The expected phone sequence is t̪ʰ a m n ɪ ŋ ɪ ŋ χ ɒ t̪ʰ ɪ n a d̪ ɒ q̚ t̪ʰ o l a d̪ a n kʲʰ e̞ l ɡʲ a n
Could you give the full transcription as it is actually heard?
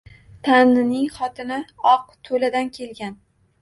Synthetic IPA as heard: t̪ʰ a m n ɪ n ɪ ŋ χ ɒ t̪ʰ ɪ n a ɒ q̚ t̪ʰ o l a d̪ a n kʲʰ e̞ l ɡʲ a n